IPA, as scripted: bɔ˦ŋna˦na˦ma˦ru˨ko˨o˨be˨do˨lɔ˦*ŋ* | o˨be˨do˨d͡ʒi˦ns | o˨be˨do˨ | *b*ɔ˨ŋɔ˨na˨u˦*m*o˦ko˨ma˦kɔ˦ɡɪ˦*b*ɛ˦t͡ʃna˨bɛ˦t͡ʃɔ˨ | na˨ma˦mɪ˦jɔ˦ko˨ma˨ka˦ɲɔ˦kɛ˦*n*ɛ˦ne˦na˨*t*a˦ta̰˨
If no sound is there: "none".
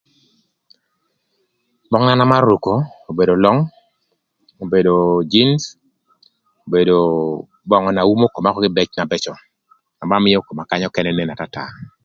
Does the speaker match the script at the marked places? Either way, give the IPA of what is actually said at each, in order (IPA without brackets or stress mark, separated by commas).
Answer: ŋ, b, m, b, n, t